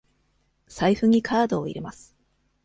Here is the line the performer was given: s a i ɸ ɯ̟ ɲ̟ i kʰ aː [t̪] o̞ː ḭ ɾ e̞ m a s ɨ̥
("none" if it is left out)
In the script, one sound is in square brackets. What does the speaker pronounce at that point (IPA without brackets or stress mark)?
d̪